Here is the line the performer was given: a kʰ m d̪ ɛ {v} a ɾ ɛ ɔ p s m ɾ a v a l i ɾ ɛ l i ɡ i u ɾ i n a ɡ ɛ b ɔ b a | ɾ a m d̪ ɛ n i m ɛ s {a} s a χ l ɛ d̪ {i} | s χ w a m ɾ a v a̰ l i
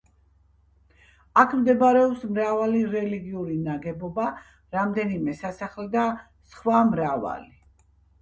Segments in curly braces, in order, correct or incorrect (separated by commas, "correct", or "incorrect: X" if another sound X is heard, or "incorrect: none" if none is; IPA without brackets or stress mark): incorrect: b, correct, incorrect: a